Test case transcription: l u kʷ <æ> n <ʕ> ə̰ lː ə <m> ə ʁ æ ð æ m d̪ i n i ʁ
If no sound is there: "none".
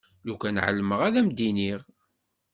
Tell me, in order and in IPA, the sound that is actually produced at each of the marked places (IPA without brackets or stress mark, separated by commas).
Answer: æ, ʕ, m